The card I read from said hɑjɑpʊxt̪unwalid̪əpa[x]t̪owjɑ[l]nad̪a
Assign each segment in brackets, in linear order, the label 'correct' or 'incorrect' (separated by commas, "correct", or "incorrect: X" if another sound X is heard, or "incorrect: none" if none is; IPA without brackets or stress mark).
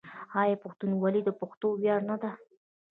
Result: correct, incorrect: ɾ